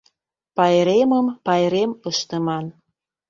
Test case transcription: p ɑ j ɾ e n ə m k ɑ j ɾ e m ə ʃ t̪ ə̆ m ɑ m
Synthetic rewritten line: p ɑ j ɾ e m ə m p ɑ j ɾ e m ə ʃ t̪ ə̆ m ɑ n